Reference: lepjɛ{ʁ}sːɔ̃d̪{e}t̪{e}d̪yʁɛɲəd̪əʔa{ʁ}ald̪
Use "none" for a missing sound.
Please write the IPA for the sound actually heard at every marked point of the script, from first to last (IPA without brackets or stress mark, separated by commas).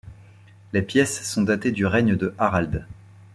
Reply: none, a, e, ʁ